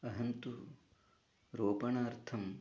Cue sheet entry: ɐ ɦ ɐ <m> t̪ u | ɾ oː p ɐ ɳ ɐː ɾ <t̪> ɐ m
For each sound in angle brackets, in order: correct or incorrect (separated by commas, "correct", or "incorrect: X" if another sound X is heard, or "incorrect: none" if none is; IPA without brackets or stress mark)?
incorrect: n, incorrect: t̪ʰ